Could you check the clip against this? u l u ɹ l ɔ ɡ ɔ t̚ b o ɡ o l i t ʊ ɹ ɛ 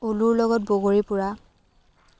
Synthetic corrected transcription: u l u ɹ l ɔ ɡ ɔ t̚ b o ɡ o ɹ i p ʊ ɹ a